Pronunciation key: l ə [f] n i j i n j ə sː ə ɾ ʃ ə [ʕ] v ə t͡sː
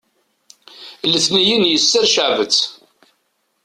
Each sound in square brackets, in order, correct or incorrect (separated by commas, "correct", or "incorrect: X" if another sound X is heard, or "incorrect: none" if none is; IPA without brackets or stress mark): incorrect: θ, correct